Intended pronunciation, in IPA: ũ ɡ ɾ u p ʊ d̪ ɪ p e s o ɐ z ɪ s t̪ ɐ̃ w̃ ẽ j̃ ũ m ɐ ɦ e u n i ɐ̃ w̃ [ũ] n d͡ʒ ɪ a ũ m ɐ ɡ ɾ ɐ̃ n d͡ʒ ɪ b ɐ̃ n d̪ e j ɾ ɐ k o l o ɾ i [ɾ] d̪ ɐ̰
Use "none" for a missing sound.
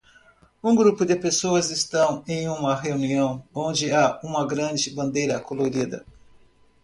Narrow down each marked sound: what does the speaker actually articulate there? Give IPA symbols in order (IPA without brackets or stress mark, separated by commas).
õ, none